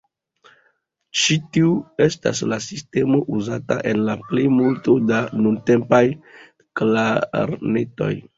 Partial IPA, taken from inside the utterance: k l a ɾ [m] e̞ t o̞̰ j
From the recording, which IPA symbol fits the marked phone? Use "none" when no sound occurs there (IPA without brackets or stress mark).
n